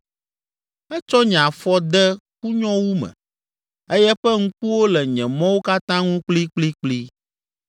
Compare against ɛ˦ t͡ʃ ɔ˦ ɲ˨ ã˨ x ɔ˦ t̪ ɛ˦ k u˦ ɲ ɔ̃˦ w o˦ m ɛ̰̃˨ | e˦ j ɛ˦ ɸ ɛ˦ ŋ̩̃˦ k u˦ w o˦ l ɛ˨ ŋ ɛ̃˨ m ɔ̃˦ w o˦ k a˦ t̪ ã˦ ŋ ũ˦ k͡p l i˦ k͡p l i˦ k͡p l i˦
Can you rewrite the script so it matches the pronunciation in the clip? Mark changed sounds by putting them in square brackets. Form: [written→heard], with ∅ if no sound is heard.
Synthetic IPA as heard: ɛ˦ t͡ʃ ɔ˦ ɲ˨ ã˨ [x→f] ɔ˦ [t̪→d̪] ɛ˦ k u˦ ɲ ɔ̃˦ w [o˦→u˦] m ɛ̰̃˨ | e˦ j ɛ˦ ɸ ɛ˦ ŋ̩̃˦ k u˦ w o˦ l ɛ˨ [ŋ→ɲ] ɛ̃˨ m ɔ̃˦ w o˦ k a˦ t̪ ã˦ ŋ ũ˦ k͡p l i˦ k͡p l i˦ k͡p l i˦